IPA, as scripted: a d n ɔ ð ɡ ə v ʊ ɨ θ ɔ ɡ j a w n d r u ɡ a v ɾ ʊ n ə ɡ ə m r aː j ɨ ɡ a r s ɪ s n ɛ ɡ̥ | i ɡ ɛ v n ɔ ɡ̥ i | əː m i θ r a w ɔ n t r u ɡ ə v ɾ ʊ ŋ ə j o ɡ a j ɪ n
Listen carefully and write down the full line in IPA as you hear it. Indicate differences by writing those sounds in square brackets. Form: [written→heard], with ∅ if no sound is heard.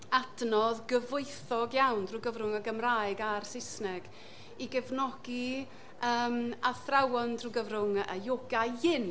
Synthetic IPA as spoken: a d n ɔ ð ɡ ə v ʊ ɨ θ ɔ ɡ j a w n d r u ɡ [a→ə] v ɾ ʊ [n→ŋ] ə ɡ ə m r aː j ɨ ɡ a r s ɪ s n ɛ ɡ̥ | i ɡ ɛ v n ɔ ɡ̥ i | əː m [i→a] θ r a w ɔ n [t→d] r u ɡ ə v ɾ ʊ ŋ ə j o ɡ a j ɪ n